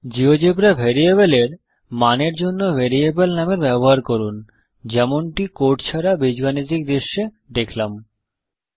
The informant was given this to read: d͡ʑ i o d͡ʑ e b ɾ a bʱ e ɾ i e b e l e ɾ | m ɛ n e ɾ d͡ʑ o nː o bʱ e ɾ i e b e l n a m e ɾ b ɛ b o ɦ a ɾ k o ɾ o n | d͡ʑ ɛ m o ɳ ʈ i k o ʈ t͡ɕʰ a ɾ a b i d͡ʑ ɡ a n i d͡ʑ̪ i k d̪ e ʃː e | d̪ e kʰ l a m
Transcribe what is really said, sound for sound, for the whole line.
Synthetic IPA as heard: d͡ʑ i o d͡ʑ e b ɾ a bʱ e ɾ i e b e l e ɾ | m a n e ɾ d͡ʑ o nː o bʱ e ɾ i e b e l n a m e ɾ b ɛ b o ɦ a ɾ k o ɾ u n | d͡ʑ ɛ m o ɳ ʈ i k o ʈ t͡ɕʰ a ɾ a b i d͡ʑ ɡ a n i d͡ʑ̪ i k d̪ e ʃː e | d̪ e kʰ l a m